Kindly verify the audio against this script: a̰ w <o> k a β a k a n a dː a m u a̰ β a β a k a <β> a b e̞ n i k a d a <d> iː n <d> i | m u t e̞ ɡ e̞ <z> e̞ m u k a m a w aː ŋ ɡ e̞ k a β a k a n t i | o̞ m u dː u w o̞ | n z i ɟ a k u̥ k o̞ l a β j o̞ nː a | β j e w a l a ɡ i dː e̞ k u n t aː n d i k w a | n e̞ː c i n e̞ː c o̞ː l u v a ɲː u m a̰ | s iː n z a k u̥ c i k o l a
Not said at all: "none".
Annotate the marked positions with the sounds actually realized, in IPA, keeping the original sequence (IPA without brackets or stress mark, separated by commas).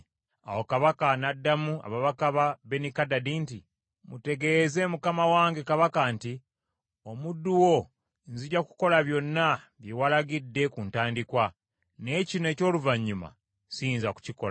o, β, d, t, z